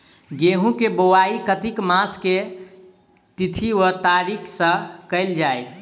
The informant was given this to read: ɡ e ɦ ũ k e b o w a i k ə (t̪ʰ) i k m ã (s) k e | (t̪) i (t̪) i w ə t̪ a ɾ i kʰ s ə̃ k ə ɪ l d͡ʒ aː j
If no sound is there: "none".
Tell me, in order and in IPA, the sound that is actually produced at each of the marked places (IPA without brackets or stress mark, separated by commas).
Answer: t̪, s, t̪, t̪ʰ